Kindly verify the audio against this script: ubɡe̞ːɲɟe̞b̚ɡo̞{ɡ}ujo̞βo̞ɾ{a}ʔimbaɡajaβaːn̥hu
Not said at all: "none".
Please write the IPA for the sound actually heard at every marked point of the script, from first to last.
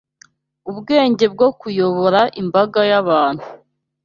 k, a

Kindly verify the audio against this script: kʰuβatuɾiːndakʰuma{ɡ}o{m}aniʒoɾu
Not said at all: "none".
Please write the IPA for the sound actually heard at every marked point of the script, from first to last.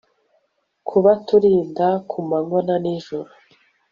ŋ, n

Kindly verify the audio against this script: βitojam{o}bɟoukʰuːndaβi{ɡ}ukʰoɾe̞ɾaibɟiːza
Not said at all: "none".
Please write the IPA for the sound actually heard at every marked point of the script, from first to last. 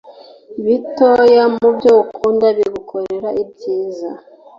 u, ɡ

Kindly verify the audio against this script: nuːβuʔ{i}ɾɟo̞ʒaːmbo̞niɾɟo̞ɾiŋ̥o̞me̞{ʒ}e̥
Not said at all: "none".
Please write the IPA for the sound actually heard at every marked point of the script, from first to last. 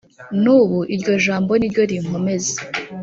i, z

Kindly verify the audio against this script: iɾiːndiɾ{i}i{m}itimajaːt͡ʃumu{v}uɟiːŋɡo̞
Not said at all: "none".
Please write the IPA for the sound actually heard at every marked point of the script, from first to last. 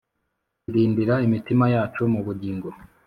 a, m, β

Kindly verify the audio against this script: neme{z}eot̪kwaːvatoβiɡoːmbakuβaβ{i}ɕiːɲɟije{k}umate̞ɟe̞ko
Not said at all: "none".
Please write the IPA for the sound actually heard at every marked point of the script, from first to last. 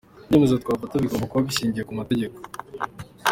z, i, k

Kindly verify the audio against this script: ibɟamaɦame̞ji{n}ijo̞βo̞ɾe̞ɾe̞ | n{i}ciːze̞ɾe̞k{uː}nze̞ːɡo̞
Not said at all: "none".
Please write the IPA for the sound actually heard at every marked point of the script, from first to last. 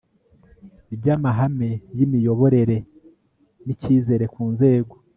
m, i, uː

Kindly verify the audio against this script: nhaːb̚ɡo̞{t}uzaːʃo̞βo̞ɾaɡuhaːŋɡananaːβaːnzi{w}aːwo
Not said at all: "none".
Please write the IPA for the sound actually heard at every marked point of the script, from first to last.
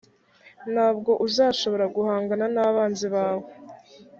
ʔ, β

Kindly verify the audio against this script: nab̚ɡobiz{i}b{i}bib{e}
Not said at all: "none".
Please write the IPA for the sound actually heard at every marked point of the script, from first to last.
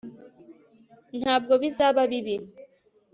a, a, i

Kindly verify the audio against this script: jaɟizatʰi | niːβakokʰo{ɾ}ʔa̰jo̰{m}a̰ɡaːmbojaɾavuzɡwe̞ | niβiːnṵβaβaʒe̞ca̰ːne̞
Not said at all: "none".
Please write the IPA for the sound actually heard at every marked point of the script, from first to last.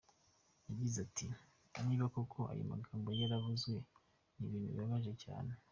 none, m

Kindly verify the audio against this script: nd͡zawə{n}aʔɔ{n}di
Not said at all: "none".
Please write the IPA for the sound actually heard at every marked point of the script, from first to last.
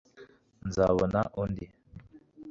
n, n

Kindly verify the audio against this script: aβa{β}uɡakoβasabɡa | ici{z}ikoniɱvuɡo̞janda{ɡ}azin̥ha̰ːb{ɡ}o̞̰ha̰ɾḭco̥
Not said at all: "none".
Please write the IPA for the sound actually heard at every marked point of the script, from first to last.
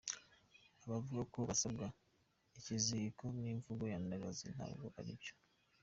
v, z, ɡ, ɡ

